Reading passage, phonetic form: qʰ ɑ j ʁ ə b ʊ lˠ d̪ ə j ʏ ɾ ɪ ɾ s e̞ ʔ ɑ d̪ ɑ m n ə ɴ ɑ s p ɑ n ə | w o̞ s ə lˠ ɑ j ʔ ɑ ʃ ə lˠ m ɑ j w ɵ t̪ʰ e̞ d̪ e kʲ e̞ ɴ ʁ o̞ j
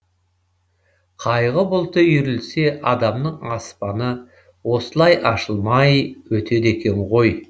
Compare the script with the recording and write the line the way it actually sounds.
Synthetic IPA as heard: qʰ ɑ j ʁ ə b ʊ lˠ t̪ ə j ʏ ɾ ɪ l s e̞ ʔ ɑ d̪ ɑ m n ə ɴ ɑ s p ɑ n ə | w o̞ s ə lˠ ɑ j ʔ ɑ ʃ ə lˠ m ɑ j w ɵ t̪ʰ e̞ d̪ e kʲ e̞ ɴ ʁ o̞ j